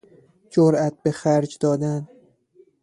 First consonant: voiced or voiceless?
voiced